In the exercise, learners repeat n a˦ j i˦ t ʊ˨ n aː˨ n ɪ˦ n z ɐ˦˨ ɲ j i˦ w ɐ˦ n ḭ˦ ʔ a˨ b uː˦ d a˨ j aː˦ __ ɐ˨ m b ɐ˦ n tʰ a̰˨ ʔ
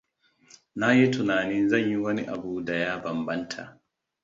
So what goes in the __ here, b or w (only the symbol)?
b